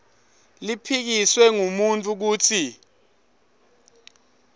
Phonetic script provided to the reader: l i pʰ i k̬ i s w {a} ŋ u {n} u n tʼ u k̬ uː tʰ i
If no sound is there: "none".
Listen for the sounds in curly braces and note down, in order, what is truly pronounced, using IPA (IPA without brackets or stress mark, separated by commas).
ɛ, m